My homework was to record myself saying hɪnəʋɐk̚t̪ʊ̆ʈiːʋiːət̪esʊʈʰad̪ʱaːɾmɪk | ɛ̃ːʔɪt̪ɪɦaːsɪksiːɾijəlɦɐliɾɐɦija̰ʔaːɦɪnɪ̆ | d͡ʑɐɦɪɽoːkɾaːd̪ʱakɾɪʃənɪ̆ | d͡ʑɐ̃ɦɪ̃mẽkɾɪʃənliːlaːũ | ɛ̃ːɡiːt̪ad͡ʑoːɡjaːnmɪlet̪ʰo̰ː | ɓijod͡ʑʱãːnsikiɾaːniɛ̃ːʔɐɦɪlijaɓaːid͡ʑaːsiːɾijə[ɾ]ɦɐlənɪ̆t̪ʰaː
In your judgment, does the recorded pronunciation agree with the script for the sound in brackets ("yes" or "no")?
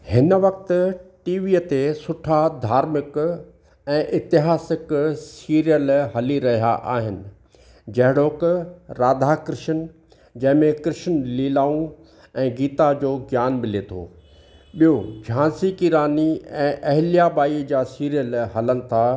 no